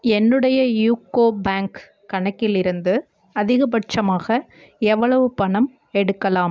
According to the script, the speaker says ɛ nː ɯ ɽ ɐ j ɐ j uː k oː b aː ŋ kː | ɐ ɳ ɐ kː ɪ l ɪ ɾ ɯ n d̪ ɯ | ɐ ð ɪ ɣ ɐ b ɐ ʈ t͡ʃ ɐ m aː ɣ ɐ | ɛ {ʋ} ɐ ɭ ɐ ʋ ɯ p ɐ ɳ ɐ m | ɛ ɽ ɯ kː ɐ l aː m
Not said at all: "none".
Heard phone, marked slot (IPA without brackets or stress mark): ʋː